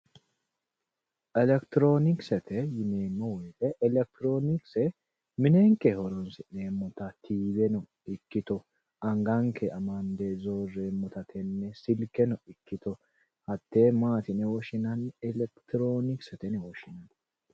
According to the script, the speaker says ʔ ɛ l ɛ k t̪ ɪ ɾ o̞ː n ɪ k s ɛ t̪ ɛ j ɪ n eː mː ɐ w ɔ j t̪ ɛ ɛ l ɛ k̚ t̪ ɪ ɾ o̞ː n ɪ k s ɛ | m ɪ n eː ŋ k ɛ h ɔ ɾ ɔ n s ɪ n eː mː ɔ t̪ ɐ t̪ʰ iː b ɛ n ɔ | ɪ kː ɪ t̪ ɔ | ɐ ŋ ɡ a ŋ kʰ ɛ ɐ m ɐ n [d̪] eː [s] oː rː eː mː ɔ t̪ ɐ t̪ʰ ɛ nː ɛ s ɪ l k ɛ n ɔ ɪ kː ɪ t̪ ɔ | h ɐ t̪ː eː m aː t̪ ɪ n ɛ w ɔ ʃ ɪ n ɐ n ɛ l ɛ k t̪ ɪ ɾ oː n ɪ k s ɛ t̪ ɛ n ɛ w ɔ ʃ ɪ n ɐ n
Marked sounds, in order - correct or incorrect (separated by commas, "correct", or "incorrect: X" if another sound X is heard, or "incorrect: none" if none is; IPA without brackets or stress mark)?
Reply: correct, incorrect: z